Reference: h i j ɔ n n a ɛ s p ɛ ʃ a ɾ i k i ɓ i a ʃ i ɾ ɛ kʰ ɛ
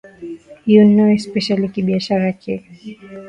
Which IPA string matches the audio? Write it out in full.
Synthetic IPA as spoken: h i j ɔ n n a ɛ s p ɛ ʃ a l i k i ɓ i a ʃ a ɾ a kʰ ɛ